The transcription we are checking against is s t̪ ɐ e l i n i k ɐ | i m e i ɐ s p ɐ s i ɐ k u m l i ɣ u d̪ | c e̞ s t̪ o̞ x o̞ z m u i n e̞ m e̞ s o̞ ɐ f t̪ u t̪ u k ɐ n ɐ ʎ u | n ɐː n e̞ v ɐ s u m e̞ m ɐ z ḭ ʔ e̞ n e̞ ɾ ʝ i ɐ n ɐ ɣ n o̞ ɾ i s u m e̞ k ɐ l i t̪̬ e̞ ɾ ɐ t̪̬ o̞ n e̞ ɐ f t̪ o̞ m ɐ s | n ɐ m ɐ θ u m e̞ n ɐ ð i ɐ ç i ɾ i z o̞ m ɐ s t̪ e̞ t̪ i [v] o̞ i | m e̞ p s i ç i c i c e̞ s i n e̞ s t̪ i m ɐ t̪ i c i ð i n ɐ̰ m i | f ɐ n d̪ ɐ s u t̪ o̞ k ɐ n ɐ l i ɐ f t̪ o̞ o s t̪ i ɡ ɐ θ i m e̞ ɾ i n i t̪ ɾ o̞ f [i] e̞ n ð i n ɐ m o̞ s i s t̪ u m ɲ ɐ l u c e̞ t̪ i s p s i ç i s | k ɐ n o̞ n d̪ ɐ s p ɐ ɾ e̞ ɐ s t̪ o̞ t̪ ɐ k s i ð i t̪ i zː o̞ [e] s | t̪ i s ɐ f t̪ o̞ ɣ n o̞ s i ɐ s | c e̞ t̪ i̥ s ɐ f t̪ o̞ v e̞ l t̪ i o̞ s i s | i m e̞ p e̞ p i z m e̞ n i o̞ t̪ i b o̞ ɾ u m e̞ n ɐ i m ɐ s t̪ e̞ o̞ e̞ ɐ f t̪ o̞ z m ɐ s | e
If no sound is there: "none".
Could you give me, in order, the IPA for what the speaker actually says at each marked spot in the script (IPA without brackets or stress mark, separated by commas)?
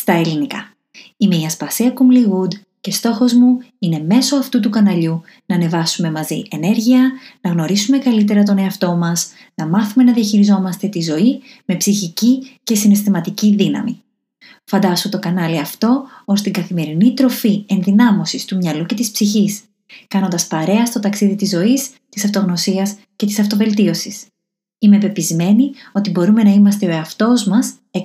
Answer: z, i, i